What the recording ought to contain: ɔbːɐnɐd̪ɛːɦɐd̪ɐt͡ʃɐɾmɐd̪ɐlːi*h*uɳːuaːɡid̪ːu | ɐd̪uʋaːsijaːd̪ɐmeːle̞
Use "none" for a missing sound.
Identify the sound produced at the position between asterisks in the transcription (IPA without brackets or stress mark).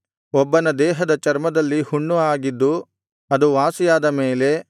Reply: h